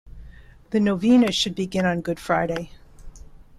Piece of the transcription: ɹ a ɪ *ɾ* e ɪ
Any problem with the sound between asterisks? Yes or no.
no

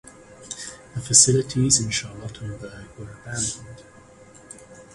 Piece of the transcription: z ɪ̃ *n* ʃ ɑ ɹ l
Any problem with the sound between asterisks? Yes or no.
no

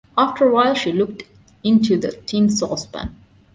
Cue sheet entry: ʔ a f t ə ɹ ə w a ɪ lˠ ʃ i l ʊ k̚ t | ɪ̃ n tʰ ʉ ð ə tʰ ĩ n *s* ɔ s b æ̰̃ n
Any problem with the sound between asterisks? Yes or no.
no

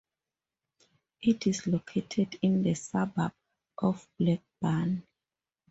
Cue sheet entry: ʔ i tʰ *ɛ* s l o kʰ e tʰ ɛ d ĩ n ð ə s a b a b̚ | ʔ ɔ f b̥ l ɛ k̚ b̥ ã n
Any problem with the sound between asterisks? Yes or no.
yes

